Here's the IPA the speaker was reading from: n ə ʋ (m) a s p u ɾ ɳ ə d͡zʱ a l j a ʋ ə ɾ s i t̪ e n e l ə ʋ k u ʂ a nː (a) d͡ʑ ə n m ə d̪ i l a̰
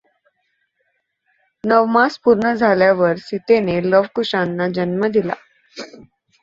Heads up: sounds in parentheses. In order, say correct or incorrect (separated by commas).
correct, correct